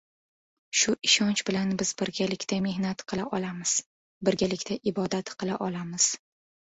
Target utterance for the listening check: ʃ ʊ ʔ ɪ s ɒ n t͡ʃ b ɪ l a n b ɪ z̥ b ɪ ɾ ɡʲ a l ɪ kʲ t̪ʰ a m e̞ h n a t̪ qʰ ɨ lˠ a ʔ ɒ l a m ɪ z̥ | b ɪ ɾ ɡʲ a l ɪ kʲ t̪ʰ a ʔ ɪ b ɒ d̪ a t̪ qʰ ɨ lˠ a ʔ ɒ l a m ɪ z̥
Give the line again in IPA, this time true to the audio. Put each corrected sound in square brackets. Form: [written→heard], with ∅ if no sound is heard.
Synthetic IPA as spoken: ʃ ʊ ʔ ɪ [s→ʃ] ɒ n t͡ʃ b ɪ l a n b ɪ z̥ b ɪ ɾ ɡʲ a l ɪ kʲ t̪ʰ a m e̞ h n a t̪ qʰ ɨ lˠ a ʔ ɒ l a m ɪ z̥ | b ɪ ɾ ɡʲ a l ɪ kʲ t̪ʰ a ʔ ɪ b ɒ d̪ a t̪ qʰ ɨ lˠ a ʔ ɒ l a m ɪ z̥

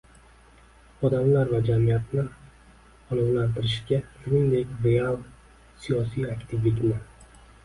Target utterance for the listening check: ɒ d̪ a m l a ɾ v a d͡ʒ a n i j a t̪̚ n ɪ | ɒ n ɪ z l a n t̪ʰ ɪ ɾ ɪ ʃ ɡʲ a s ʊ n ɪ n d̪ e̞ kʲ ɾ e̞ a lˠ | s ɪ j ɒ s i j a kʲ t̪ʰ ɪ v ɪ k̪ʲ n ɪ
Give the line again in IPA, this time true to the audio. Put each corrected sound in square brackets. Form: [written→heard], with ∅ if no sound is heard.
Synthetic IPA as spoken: ɒ d̪ a m l a ɾ v a d͡ʒ a [n→m] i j a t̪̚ n ɪ | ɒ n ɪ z l a n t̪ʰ ɪ ɾ ɪ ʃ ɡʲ a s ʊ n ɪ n d̪ e̞ kʲ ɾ e̞ a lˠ | s [ɪ→i] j ɒ s i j a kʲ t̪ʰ ɪ v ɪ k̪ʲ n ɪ

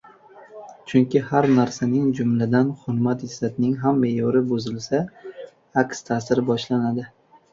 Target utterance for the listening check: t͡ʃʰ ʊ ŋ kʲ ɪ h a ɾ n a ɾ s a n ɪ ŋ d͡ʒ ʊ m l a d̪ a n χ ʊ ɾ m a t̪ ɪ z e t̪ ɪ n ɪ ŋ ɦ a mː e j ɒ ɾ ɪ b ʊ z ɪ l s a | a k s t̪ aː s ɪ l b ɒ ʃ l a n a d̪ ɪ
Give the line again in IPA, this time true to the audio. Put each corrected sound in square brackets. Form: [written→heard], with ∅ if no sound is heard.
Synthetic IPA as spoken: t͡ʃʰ ʊ ŋ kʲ ɪ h a ɾ n a ɾ s a n ɪ ŋ d͡ʒ ʊ m l a d̪ a n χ ʊ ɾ m a t̪ ɪ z [e→a] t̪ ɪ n ɪ ŋ ɦ a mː e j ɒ ɾ ɪ b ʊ z ɪ l s a | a k s [t̪→t̪ʰ] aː s ɪ [l→ɾ] b ɒ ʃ l a n a d̪ ɪ

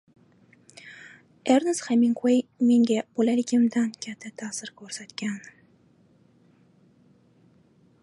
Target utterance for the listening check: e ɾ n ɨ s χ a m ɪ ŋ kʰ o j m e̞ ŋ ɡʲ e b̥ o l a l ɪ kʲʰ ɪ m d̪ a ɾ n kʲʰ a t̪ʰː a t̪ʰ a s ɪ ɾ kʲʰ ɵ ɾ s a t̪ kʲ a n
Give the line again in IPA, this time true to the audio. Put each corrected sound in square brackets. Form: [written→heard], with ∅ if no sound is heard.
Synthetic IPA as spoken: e ɾ n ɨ s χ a m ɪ ŋ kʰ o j m e̞ ŋ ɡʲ [e→a] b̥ o l a l ɪ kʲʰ ɪ m d̪ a [ɾ→∅] n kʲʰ a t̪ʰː a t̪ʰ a s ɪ ɾ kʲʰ ɵ ɾ s a t̪ kʲ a n

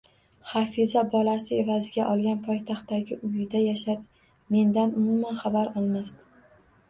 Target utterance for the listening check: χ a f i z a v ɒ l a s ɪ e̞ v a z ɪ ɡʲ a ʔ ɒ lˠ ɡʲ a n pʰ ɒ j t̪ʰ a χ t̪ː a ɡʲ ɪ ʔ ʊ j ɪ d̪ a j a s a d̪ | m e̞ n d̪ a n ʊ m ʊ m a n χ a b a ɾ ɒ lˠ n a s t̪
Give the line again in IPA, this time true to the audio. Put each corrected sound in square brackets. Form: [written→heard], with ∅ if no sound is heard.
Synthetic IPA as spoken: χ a f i z a [v→b] ɒ l a s ɪ e̞ v a z ɪ ɡʲ a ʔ ɒ lˠ ɡʲ a n pʰ ɒ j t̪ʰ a χ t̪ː a ɡʲ ɪ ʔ ʊ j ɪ d̪ a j a [s→ʃ] a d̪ | m e̞ n d̪ a n ʊ m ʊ m a n χ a b a ɾ ɒ lˠ [n→m] a s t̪

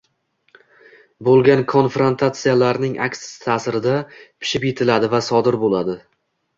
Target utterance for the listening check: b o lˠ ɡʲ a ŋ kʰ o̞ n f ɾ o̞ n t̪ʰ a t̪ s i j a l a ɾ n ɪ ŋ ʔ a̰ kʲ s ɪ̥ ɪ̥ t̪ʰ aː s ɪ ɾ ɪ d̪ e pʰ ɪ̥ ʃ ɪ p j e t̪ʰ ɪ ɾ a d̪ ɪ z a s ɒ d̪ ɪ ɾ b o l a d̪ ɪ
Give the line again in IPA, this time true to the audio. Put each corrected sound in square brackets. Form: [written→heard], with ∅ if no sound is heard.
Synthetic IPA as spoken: b o lˠ ɡʲ a [ŋ→n] kʰ o̞ n f ɾ o̞ n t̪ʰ a t̪ s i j a l a ɾ n ɪ ŋ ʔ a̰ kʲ s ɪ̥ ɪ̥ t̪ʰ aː s ɪ ɾ ɪ d̪ [e→a] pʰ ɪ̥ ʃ ɪ p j e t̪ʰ ɪ [ɾ→l] a d̪ ɪ [z→v] a s ɒ d̪ ɪ ɾ b o l a d̪ ɪ

